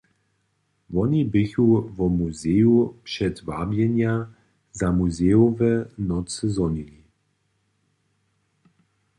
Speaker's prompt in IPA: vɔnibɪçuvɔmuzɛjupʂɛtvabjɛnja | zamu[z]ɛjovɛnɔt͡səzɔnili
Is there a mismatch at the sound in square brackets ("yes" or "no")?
no